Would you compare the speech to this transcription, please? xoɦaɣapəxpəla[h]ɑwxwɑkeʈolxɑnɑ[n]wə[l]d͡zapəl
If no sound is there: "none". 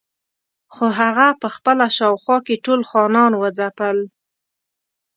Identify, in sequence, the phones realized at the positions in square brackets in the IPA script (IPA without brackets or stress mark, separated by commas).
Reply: ʃ, n, none